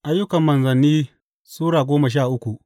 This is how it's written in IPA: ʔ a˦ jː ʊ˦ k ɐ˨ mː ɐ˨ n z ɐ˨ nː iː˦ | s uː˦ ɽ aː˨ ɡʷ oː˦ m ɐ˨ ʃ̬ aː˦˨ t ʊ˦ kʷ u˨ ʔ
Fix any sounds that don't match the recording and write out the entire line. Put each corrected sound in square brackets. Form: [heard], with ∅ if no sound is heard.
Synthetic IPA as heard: ʔ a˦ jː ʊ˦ k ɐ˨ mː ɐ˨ n z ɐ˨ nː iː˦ | s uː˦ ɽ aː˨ ɡʷ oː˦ m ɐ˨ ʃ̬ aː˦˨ [ʔ] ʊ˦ kʷ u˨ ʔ